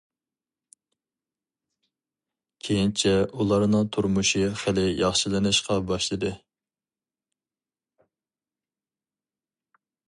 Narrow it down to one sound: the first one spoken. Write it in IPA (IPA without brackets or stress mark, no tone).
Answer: kʲʰ